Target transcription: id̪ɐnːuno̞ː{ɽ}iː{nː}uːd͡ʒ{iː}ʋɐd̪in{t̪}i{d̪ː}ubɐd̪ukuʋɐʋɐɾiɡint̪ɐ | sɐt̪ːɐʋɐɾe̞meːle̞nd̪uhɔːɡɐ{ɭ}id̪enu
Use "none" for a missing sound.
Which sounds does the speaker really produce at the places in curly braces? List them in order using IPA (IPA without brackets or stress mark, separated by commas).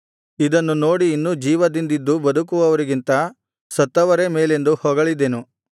ɽ, nː, iː, d̪, d̪ː, ɭ